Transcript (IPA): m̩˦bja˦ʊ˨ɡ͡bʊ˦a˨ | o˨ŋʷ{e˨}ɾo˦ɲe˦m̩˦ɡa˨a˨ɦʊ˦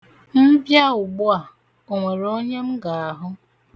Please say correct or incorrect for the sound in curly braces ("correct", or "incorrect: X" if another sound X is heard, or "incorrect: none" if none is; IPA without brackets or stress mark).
correct